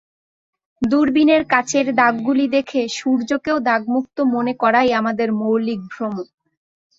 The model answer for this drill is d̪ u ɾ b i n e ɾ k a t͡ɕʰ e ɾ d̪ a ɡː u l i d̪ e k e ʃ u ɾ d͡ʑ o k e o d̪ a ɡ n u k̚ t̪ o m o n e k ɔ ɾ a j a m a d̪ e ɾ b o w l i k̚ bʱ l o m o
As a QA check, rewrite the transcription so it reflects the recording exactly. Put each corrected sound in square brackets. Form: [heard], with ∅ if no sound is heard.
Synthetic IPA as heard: d̪ u ɾ b i n e ɾ k a t͡ɕʰ e ɾ d̪ a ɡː u l i d̪ e [kʰ] e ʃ u ɾ d͡ʑ o k e o d̪ a ɡ [m] u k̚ t̪ o m o n e k ɔ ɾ a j a m a d̪ e ɾ [m] o w l i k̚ bʱ [ɾ] o m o